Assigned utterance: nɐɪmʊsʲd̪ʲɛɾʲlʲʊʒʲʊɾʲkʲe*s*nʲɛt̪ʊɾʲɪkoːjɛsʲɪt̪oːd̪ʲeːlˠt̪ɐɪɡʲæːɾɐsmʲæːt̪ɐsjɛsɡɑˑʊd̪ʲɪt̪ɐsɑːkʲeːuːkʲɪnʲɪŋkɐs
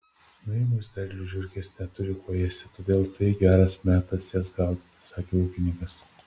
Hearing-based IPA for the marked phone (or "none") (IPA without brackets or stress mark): s